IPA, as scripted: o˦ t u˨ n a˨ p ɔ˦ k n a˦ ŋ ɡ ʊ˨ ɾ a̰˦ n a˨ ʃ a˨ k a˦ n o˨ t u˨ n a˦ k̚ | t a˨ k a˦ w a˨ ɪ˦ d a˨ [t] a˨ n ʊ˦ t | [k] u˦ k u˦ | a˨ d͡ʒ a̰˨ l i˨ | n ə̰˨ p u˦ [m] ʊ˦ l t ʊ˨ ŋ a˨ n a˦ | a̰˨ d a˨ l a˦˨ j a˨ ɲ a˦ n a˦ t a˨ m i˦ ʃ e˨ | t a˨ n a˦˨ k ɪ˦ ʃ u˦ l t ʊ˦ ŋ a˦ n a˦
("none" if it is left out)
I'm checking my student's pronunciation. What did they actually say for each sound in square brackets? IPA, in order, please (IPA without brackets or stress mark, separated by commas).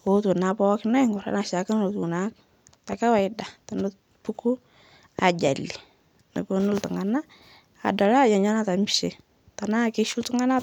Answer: t, p, n